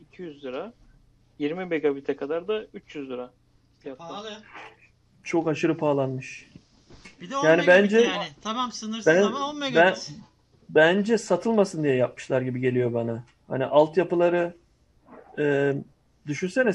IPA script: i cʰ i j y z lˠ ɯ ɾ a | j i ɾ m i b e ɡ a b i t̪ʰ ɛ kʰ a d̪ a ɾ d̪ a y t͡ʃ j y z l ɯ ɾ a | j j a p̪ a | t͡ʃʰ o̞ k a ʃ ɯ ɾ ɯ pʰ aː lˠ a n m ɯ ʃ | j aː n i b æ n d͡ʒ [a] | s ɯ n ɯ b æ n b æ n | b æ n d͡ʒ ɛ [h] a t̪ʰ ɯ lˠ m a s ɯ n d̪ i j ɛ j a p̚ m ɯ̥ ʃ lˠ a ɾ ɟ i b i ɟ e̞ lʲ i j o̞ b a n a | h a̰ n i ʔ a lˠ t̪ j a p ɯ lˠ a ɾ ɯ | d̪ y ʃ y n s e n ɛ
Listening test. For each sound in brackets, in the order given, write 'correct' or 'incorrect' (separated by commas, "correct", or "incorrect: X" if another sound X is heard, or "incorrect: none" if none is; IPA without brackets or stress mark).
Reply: incorrect: ɛ, incorrect: s